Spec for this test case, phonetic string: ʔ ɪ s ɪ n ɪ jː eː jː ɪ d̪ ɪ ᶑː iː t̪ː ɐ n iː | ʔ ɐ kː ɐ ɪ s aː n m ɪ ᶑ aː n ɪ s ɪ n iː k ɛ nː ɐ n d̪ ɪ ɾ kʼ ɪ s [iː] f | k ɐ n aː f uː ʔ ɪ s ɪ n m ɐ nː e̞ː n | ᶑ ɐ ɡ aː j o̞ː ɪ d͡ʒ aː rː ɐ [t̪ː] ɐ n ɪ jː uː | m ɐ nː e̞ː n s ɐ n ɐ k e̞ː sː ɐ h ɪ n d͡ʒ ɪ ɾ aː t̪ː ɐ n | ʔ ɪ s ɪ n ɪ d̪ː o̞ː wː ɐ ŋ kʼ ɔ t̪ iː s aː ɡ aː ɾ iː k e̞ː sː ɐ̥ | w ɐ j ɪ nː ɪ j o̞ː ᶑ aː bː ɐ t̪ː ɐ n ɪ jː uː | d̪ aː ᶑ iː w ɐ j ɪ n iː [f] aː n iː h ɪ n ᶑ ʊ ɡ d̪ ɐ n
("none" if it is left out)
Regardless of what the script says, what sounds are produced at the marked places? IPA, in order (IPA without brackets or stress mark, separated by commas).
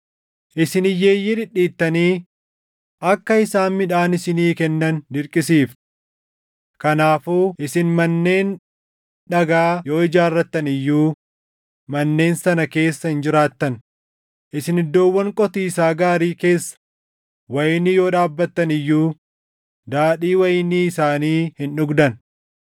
iː, t̪ː, s